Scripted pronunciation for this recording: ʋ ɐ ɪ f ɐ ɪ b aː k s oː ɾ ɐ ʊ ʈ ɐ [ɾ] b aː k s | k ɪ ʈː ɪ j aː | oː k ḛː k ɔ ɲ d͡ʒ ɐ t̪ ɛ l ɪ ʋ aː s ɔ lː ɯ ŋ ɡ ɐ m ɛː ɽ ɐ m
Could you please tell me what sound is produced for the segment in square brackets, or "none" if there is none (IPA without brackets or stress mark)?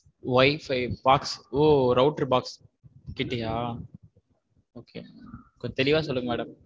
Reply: ɾ